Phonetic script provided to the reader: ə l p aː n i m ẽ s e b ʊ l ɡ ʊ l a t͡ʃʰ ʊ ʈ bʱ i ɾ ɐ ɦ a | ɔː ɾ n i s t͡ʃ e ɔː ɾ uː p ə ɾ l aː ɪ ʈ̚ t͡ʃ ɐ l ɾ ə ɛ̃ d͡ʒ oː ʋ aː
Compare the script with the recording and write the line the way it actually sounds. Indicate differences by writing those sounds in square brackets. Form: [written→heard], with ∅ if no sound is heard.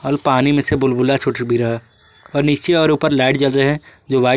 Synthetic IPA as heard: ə l p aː n i m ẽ s e b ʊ l [ɡ→b] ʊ l a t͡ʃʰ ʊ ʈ bʱ i ɾ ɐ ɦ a | ɔː ɾ n i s t͡ʃ e ɔː ɾ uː p ə ɾ l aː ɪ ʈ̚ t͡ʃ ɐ l ɾ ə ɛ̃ d͡ʒ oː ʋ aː